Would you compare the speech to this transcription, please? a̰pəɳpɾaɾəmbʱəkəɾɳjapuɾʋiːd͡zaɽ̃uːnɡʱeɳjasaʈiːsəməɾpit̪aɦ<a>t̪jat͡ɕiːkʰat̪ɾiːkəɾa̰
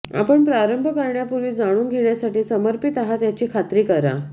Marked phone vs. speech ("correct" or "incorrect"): correct